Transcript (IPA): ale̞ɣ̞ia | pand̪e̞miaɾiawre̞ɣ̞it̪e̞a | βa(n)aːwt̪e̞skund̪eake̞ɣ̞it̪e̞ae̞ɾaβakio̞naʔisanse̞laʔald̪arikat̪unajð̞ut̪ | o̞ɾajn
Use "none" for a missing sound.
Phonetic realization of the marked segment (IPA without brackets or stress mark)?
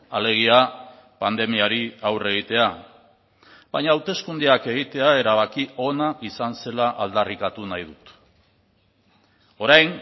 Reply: ɲ